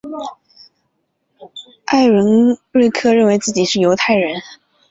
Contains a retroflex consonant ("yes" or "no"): yes